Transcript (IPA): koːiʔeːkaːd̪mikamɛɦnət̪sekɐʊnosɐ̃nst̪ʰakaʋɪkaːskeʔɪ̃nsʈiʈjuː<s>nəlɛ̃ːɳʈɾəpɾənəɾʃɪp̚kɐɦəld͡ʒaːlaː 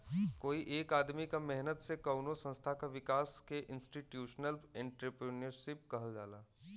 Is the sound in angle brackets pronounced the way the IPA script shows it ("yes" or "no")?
no